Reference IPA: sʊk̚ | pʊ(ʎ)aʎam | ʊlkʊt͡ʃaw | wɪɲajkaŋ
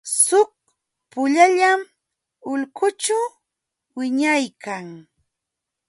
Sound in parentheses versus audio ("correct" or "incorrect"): correct